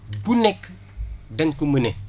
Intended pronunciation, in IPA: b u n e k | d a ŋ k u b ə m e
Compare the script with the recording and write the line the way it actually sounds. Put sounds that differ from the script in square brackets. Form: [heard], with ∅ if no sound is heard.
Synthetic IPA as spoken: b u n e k | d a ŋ k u [m] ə [n] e

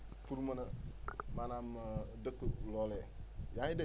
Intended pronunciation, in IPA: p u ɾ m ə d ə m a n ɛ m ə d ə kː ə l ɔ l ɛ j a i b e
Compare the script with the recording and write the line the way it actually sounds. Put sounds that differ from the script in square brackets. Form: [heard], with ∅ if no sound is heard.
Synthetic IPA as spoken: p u ɾ m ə [n] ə m a n [a] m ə d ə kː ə l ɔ l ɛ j a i [d] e

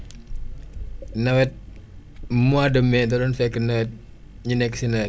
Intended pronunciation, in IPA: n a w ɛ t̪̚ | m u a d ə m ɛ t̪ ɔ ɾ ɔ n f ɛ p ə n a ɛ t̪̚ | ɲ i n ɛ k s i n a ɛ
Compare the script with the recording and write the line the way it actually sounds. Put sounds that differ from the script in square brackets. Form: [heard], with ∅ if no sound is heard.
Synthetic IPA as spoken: n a w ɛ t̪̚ | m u a d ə m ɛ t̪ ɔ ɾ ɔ n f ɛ [k] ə n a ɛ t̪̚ | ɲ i n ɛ k s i n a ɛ

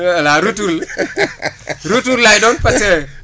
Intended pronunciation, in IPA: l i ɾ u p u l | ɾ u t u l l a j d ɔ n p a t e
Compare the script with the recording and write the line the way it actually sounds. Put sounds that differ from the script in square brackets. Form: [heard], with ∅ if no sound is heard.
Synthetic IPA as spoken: l [a] ɾ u [t] u l | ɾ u t u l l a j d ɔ n p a [s] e

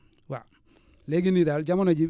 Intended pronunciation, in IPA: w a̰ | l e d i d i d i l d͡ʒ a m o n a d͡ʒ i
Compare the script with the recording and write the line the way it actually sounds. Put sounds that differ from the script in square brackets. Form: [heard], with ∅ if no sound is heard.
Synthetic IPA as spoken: w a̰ | l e [ɡ] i [n] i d [a] l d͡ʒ a m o n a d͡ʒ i

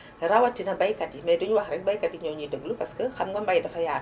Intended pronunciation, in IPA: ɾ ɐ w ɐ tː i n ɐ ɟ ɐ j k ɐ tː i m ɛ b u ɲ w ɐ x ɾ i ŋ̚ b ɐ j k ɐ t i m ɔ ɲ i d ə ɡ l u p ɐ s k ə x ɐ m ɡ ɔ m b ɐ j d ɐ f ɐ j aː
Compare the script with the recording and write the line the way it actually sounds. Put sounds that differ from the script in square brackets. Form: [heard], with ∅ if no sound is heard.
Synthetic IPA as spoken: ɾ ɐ w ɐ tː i n ɐ [b] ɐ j k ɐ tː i m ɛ [d] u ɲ w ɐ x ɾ [ɛ] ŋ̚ b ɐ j k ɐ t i [ɲ] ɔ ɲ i d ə ɡ l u p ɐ s k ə x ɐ m ɡ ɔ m b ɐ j d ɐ f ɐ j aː

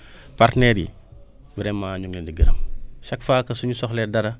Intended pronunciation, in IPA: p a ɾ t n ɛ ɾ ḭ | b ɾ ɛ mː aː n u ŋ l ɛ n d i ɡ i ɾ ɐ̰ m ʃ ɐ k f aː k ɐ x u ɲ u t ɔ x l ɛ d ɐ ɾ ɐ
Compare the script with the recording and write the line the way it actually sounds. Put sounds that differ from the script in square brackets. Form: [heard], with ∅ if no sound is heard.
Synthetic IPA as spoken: p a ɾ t n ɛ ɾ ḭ | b ɾ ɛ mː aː [ɲ] u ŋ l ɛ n d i ɡ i ɾ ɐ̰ m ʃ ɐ k f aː k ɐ [s] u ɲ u [s] ɔ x l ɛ d ɐ ɾ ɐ

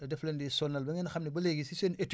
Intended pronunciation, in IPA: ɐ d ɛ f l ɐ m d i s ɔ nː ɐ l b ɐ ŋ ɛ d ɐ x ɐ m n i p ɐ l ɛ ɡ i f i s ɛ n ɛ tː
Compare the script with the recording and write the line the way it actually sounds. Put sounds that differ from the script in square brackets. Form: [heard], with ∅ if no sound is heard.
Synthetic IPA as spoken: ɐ d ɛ f l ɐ [n] d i s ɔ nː ɐ l b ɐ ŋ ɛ [n] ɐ x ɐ m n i [b] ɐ l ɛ ɡ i [s] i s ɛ n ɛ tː

